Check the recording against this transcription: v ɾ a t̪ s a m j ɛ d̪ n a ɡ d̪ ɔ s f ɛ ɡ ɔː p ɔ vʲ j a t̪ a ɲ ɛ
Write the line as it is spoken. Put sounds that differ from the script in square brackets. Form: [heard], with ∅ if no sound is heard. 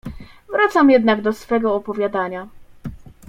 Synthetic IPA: v ɾ a t̪ s a m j ɛ d̪ n a ɡ d̪ ɔ s f ɛ ɡ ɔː p ɔ vʲ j a [d̪] a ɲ [a]